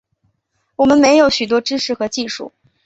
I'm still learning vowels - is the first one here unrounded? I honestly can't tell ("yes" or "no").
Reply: no